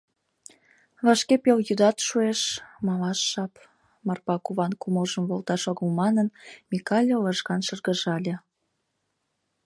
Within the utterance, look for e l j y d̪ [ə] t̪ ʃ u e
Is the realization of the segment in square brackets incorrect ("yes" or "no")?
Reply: yes